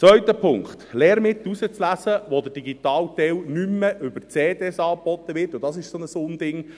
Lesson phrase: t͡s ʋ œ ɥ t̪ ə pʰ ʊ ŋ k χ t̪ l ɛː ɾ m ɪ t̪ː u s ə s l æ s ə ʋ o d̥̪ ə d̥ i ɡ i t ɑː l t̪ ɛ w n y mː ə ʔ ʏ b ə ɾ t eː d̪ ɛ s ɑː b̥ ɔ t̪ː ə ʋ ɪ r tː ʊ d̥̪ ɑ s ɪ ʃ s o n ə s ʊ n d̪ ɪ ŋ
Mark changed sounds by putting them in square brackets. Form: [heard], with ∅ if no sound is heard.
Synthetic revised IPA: t͡s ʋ œ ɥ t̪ ə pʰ ʊ ŋ k χ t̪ l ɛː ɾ m ɪ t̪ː u s ə [t͡s] l æ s ə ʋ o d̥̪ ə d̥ i ɡ i t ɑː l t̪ ɛ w n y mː ə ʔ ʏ b ə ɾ [t͡s] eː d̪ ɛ s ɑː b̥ ɔ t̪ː ə ʋ ɪ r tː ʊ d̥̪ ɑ s ɪ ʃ s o n ə s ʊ n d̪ ɪ ŋ